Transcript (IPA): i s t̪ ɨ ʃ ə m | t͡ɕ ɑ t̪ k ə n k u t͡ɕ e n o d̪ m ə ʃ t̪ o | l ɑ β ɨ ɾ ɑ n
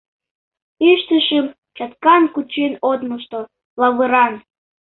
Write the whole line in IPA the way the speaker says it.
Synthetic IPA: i ʃ t̪ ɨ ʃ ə m | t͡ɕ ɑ t̪ k ɑ n k u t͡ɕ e n o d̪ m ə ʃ t̪ o | l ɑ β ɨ ɾ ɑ n